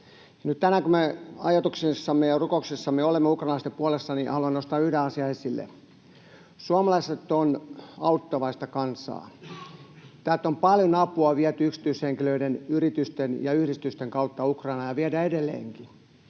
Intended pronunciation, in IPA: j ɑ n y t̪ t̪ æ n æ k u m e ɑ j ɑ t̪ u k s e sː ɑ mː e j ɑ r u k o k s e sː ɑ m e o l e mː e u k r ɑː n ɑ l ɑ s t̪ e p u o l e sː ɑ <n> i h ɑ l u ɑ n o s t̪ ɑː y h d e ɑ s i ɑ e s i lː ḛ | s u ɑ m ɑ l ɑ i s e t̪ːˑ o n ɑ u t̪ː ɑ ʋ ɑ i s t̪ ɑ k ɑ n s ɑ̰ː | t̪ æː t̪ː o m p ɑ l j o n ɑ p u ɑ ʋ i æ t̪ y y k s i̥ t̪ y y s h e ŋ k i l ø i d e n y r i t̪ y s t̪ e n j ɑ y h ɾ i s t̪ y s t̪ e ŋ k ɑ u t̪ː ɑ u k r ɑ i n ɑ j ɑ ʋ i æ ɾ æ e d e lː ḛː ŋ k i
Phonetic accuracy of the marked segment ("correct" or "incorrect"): correct